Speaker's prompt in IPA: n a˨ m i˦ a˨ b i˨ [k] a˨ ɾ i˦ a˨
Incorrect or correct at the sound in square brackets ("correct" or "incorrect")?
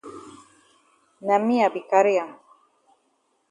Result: correct